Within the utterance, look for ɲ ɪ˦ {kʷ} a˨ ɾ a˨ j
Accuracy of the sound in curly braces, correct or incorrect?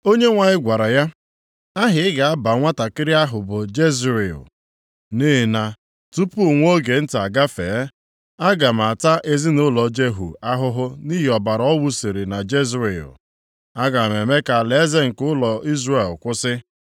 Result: incorrect